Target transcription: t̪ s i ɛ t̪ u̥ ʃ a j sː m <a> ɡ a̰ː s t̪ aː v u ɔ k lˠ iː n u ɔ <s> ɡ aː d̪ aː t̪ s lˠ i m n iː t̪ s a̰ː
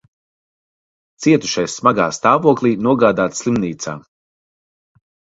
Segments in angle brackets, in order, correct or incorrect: correct, incorrect

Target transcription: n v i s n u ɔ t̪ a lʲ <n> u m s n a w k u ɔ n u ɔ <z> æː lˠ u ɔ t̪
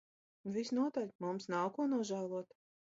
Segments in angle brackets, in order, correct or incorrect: incorrect, incorrect

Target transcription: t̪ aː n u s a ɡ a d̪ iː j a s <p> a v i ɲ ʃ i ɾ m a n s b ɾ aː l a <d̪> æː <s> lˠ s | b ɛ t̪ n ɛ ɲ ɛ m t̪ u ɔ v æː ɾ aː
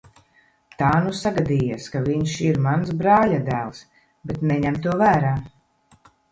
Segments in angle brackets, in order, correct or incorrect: incorrect, correct, incorrect

